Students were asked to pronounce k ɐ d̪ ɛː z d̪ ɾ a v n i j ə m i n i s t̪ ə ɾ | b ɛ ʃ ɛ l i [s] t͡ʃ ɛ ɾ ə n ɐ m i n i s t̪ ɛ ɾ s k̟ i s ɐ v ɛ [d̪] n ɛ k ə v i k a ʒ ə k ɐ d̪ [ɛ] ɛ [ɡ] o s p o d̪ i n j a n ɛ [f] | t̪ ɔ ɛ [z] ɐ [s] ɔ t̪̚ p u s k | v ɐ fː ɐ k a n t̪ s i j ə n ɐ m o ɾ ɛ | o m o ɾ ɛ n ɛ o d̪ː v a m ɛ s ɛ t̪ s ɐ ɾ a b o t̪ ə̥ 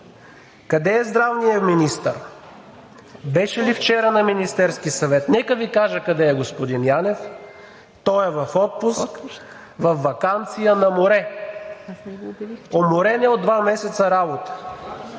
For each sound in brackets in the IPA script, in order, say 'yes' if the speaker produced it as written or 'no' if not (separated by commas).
no, no, yes, yes, yes, no, no